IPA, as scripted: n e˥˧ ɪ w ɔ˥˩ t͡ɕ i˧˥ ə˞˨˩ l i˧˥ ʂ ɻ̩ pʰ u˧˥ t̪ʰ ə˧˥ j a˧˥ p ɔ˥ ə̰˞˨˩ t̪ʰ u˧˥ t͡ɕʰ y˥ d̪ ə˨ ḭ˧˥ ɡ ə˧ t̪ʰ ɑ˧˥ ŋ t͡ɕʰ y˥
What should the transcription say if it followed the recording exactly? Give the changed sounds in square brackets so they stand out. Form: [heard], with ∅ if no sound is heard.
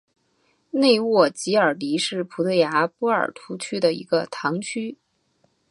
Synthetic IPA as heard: n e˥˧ ɪ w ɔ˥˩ t͡ɕ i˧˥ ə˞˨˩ l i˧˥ ʂ ɻ̩ pʰ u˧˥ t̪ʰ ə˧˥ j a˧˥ p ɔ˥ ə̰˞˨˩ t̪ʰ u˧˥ t͡ɕʰ y˥ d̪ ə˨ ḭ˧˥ ɡ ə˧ t̪ʰ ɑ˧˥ ŋ t͡ɕʰ y˥